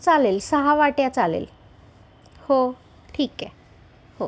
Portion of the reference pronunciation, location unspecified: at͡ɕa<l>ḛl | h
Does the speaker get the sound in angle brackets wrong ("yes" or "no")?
no